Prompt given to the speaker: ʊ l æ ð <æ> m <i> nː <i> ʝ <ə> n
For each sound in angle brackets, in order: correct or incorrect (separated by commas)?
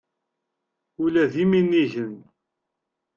incorrect, correct, correct, correct